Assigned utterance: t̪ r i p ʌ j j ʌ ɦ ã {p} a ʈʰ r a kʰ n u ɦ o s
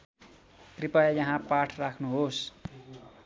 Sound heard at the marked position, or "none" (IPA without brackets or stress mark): p